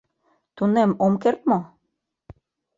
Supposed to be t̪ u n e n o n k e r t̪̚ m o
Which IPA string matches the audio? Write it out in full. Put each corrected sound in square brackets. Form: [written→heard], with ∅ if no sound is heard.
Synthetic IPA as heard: t̪ u n e [n→m] o [n→m] k e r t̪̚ m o